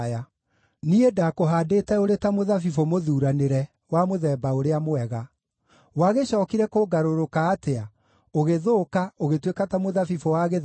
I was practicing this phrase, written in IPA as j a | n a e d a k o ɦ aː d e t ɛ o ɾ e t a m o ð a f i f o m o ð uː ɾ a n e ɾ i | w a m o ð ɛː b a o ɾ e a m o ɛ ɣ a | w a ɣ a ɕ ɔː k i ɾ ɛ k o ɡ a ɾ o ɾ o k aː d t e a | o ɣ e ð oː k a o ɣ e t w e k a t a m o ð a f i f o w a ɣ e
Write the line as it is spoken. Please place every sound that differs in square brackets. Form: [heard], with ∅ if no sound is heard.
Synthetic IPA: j a | n [i] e d a k o ɦ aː d e t ɛ o ɾ e t a m o ð a f i f o m o ð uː ɾ a n e ɾ [ɛ] | w a m o ð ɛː b a o ɾ e a m o ɛ ɣ a | w a ɣ [e] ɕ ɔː k i ɾ ɛ k o ɡ a ɾ o ɾ o k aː [∅] t e a | o ɣ e ð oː k a o ɣ e t w e k a t a m o ð a f i f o w a ɣ e